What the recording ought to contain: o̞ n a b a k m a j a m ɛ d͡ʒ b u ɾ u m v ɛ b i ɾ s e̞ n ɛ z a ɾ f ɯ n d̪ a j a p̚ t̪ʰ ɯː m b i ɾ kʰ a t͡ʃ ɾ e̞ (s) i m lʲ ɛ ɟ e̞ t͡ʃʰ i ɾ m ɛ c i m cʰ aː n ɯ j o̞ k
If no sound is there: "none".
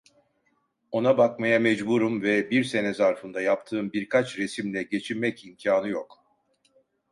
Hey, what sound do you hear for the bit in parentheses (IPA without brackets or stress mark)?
s